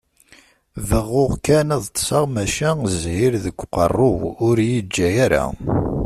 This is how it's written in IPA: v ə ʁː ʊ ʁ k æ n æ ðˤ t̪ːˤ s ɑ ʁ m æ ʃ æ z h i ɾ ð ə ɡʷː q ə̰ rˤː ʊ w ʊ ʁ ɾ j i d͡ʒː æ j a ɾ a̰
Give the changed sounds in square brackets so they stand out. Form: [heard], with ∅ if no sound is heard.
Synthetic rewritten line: v ə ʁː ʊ ʁ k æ n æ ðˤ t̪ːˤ s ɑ ʁ m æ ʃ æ z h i ɾ ð ə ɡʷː q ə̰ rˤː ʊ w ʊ [∅] ɾ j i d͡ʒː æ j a ɾ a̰

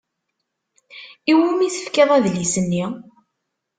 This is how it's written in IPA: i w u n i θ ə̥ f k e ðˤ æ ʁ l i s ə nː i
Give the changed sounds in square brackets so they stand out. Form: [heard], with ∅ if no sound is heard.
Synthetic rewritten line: i w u [m] i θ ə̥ f k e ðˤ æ [ð] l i s ə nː i

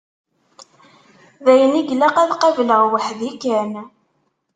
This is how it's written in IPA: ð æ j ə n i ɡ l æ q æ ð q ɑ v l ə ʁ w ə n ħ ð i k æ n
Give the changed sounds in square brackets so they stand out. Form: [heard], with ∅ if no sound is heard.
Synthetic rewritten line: ð æ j ə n i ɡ l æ q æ ð q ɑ v l ə ʁ w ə [∅] ħ ð i k æ n

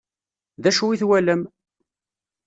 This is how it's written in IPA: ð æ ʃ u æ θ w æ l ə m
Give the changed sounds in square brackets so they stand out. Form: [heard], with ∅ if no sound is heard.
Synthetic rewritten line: ð æ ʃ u [i] θ w æ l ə m

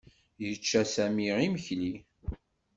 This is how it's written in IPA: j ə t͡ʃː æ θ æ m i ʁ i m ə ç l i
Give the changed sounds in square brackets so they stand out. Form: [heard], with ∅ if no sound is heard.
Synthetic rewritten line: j ə t͡ʃː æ [s] æ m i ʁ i m ə ç l i

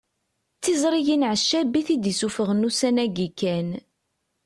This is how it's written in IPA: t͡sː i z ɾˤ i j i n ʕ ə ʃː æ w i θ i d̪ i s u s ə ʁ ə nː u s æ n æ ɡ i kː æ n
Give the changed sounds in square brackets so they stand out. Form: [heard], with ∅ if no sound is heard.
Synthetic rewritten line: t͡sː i z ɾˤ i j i n ʕ ə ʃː æ [b] i θ i d̪ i s u [f] ə ʁ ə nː u s æ n æ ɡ i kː æ n

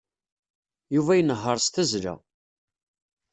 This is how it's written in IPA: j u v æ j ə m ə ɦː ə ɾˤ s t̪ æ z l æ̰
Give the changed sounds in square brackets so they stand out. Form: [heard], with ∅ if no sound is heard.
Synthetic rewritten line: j u v æ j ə [n] ə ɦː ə ɾˤ s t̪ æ z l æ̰

